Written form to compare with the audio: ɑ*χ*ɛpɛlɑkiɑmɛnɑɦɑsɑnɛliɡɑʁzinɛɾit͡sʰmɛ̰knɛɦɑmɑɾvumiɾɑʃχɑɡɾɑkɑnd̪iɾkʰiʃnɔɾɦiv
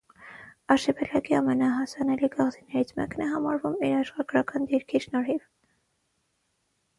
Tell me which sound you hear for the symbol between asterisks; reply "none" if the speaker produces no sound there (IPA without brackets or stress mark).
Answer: ʃ